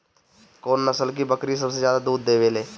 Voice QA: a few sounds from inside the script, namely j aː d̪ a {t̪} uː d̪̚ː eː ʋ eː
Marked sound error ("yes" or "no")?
yes